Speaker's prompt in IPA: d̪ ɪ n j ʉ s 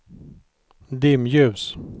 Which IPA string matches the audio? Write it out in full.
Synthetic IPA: d̪ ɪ m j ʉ s